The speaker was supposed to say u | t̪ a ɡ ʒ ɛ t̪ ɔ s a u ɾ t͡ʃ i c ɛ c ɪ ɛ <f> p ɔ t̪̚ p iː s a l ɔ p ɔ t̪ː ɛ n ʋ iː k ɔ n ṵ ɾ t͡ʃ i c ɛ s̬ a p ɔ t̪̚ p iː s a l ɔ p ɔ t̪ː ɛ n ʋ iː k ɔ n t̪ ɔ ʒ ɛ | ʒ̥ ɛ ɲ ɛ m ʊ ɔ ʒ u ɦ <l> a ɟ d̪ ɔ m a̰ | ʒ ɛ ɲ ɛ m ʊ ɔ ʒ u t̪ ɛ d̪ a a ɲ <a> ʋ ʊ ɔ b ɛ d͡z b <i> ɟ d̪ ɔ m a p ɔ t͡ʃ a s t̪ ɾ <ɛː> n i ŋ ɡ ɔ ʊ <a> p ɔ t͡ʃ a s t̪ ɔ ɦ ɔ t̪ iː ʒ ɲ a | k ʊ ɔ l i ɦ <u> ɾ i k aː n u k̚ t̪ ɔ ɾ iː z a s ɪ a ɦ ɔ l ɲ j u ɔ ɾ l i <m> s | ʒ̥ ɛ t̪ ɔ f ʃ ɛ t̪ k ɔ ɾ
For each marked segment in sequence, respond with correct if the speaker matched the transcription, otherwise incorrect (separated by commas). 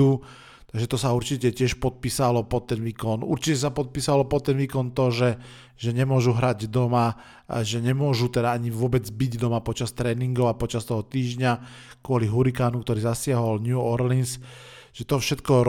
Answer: incorrect, incorrect, incorrect, correct, correct, correct, correct, incorrect